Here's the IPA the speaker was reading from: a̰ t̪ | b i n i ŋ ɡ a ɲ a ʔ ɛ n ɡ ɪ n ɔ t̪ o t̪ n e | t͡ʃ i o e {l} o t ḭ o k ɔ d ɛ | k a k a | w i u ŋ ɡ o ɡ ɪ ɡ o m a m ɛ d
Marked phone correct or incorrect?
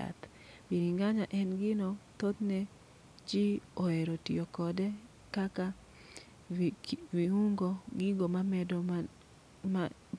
incorrect